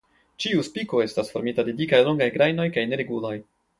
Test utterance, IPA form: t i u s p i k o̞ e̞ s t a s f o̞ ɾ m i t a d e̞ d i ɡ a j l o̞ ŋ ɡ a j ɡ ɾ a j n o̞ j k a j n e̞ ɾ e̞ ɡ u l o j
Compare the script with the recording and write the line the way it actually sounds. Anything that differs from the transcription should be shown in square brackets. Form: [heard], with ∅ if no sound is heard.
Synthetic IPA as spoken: [t͡ʃ] i u s p i k o̞ e̞ s t a s f o̞ ɾ m i t a d e̞ d i [k] a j l o̞ ŋ ɡ a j ɡ ɾ a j n o̞ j k a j n e̞ ɾ e̞ ɡ u l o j